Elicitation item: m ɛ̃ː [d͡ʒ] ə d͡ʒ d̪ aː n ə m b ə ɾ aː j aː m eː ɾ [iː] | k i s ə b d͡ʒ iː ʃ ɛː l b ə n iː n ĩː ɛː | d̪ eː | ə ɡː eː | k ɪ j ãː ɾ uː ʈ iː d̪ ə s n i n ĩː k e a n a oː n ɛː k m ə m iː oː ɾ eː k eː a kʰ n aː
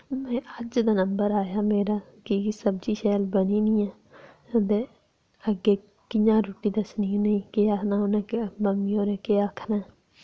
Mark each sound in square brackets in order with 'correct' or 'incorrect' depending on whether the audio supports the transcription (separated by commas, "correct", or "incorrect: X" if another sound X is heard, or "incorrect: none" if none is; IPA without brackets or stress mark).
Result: incorrect: none, incorrect: aː